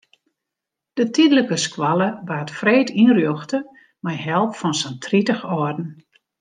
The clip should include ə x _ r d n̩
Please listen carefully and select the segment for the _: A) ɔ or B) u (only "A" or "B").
A